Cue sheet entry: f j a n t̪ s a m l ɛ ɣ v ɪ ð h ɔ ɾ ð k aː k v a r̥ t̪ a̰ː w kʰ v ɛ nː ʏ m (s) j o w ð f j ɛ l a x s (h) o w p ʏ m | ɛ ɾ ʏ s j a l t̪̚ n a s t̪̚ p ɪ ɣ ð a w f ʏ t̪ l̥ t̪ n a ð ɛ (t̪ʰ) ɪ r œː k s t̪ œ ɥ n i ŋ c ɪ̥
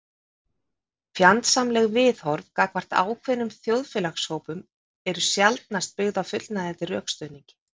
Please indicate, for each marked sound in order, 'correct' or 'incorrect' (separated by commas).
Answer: incorrect, correct, incorrect